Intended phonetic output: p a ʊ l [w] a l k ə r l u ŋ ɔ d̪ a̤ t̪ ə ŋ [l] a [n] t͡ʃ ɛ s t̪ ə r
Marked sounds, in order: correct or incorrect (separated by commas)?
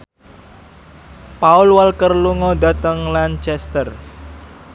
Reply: correct, correct, correct